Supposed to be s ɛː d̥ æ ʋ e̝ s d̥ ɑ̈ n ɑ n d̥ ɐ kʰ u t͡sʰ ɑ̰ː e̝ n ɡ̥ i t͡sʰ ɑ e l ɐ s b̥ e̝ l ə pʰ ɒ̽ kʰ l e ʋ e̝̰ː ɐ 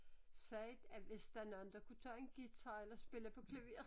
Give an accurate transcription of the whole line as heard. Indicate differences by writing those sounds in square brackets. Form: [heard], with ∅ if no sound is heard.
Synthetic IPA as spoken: s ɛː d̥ æ ʋ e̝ s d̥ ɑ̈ n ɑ n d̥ ɐ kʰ u t͡sʰ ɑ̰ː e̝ n ɡ̥ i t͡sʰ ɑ e l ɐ s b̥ e̝ l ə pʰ ɒ̽ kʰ l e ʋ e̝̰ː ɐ